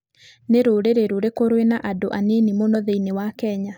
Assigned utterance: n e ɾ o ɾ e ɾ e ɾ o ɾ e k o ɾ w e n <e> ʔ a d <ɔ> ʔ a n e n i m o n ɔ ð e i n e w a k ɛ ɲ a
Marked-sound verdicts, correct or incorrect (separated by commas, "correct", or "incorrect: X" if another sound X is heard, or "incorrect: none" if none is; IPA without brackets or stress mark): incorrect: a, incorrect: o